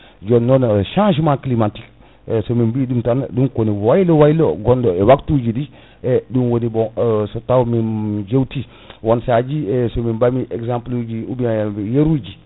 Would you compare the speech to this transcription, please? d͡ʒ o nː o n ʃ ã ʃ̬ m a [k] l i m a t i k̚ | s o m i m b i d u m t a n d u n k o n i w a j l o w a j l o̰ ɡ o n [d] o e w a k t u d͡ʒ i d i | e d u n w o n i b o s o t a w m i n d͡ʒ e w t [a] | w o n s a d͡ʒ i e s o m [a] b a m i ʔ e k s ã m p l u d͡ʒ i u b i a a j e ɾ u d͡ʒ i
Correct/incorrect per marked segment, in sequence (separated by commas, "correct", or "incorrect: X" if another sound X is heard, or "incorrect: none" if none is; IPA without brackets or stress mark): correct, correct, incorrect: i, incorrect: i